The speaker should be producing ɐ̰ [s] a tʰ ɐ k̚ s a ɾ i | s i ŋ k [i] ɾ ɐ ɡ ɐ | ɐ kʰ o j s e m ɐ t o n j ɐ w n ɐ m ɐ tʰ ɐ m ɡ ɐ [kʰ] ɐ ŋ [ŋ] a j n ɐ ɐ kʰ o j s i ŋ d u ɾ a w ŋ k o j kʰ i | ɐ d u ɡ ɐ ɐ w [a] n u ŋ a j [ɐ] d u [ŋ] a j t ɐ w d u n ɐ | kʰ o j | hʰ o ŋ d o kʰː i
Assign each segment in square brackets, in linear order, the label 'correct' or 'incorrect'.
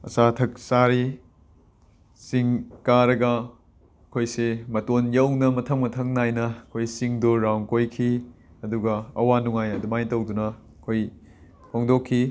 correct, incorrect: a, incorrect: tʰ, incorrect: n, correct, correct, incorrect: m

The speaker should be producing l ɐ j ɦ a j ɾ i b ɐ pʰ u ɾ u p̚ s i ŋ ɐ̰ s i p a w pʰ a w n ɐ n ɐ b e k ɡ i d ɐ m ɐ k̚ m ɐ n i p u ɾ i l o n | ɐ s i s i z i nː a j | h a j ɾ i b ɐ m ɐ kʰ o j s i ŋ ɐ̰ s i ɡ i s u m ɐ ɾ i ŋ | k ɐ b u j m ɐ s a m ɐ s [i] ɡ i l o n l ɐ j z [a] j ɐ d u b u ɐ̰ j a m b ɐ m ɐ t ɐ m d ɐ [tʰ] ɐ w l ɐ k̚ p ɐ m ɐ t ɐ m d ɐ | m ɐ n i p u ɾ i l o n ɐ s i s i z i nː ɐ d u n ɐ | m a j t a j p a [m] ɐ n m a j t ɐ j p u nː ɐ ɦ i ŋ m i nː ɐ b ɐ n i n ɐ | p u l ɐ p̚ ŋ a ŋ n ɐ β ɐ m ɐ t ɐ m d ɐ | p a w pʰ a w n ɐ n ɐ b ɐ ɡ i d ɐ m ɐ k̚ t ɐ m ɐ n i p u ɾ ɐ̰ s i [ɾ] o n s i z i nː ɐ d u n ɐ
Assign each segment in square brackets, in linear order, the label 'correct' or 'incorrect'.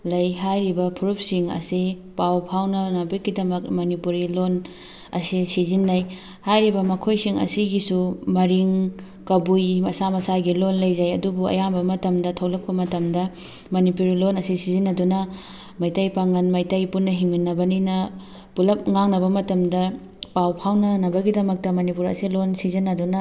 incorrect: a, correct, correct, incorrect: ŋ, incorrect: l

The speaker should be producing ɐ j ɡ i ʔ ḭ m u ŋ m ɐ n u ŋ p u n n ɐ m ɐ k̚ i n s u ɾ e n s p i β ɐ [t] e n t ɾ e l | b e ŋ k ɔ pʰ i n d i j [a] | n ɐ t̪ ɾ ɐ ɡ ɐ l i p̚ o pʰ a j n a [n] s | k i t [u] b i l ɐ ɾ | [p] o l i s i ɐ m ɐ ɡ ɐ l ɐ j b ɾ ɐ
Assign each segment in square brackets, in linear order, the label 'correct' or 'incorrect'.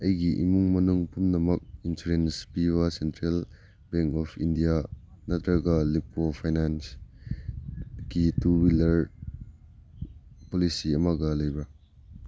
incorrect: s, correct, correct, correct, correct

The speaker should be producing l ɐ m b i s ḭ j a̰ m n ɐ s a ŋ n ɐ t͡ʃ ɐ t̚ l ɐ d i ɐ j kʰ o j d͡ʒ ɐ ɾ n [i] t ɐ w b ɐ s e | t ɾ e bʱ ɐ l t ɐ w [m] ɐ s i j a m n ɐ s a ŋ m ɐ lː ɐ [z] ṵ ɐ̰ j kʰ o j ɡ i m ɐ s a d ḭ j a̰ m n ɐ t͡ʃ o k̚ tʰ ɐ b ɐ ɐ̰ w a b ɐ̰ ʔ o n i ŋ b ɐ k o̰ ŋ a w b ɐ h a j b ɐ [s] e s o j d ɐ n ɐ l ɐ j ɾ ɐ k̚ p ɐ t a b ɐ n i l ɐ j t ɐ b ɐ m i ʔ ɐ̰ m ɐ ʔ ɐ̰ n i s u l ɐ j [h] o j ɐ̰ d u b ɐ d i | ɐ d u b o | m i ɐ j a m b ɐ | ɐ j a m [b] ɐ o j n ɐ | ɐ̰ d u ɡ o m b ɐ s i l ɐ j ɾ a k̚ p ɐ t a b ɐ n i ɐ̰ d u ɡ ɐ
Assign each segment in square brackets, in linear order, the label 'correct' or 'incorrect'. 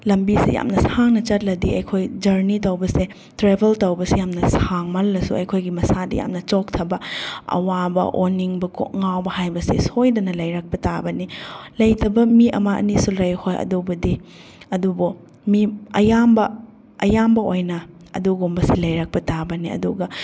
correct, incorrect: b, incorrect: s, correct, correct, correct

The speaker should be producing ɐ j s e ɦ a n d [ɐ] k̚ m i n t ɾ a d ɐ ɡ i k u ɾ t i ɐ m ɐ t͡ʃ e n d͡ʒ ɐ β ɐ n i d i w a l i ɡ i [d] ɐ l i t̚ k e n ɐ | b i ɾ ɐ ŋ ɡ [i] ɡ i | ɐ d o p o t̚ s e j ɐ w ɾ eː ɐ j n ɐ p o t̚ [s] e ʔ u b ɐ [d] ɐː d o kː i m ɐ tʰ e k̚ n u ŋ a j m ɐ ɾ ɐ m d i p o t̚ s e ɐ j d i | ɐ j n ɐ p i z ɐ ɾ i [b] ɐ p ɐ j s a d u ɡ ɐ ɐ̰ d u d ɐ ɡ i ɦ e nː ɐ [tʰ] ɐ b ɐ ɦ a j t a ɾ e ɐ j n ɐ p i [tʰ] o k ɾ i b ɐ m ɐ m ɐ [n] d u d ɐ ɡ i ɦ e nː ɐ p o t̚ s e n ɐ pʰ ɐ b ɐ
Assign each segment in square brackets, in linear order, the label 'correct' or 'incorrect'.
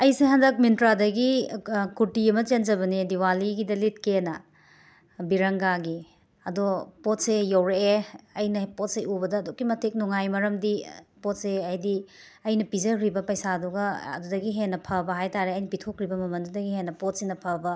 correct, correct, incorrect: a, correct, correct, correct, incorrect: pʰ, correct, correct

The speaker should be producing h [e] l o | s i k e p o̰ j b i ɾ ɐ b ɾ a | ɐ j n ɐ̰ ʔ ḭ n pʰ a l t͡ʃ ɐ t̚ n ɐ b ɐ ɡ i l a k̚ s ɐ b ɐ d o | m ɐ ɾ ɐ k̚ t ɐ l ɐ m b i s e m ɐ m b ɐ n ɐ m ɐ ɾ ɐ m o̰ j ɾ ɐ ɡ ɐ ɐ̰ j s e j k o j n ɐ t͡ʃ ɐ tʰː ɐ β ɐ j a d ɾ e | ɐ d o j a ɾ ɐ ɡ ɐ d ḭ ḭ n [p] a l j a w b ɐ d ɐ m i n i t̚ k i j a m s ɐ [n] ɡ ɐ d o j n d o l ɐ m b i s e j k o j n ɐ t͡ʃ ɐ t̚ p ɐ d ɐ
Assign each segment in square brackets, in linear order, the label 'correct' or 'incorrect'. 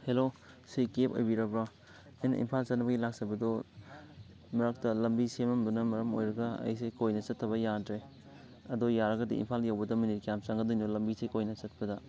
correct, incorrect: pʰ, incorrect: ŋ

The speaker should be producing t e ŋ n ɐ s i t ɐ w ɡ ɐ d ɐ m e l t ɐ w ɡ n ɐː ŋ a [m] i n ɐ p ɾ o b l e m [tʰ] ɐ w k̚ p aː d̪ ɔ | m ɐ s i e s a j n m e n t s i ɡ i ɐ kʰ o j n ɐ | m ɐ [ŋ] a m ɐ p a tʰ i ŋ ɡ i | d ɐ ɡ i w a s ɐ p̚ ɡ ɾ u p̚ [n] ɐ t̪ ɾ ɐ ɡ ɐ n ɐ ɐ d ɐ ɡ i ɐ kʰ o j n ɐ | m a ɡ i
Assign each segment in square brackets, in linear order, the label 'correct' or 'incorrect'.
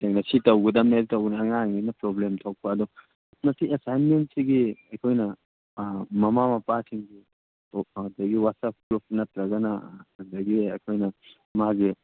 incorrect: ŋ, correct, incorrect: m, correct

